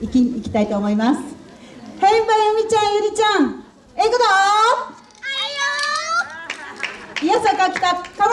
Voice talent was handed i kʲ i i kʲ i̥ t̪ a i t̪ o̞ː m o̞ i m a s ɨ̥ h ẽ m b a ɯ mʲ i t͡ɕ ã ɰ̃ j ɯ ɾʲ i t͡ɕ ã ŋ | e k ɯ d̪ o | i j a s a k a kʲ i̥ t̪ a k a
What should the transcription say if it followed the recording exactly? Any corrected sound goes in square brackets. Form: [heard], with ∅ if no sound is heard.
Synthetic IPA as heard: i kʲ i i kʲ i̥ t̪ a i t̪ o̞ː m o̞ i m a s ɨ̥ h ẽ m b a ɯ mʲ i t͡ɕ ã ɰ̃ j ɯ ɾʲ i t͡ɕ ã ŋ | e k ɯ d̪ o | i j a s a k a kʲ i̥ t̪ a k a